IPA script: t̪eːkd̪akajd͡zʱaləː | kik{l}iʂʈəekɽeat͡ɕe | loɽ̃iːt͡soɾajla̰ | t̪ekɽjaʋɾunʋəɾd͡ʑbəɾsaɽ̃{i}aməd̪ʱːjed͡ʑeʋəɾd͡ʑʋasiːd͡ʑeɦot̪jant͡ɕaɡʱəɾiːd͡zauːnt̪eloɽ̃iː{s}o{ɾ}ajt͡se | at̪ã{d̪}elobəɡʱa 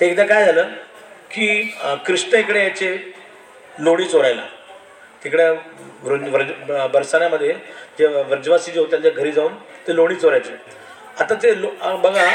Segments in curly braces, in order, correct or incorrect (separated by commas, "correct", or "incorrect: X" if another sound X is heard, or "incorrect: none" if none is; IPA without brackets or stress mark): incorrect: ɾ, incorrect: j, incorrect: t͡s, correct, incorrect: t̪